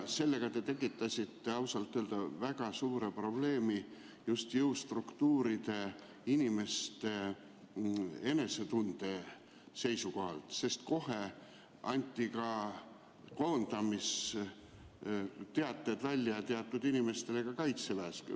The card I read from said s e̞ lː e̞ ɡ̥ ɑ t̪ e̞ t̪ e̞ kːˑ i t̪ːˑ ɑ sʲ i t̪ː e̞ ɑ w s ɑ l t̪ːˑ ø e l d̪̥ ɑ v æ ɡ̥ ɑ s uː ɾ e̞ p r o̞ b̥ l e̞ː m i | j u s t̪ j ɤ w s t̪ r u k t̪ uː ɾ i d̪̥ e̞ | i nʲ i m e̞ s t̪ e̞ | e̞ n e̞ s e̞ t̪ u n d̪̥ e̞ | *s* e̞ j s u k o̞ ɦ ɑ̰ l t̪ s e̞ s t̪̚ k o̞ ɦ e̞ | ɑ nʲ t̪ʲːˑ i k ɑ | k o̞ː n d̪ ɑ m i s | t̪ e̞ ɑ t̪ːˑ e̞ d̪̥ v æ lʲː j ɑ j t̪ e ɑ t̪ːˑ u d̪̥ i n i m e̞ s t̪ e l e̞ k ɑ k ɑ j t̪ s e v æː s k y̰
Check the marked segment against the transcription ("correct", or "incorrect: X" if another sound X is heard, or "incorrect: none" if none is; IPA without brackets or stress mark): correct